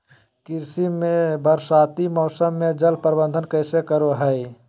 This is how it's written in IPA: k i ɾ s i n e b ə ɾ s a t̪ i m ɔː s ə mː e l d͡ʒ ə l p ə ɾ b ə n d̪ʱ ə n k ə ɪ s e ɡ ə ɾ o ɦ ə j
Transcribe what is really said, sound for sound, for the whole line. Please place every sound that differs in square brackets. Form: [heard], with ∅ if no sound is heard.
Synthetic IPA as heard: k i ɾ s i [m] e b ə ɾ s a t̪ i m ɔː s ə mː e [∅] d͡ʒ ə l p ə ɾ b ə n d̪ʱ ə n k ə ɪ s e [k] ə ɾ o ɦ ə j